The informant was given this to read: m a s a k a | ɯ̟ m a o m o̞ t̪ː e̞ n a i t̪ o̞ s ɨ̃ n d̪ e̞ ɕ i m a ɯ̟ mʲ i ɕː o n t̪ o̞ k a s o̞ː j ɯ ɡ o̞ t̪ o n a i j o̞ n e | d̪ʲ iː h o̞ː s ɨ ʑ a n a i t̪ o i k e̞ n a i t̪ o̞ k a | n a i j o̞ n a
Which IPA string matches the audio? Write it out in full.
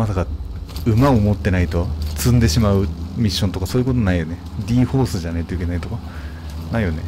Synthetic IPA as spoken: m a s a k a | ɯ̟ m a o m o̞ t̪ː e̞ n a i t̪ o̞ t͡s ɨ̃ n d̪ e̞ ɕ i m a ɯ̟ mʲ i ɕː o n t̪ o̞ k a s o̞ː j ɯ k o̞ t̪ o n a i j o̞ n e | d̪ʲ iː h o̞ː s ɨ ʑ a n a i t̪ o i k e̞ n a i t̪ o̞ k a | n a i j o̞ n e